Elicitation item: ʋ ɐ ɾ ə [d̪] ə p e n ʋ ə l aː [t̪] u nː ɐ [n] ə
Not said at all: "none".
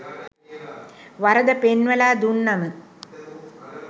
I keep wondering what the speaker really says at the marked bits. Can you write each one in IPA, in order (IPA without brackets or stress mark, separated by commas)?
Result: d̪, d̪, m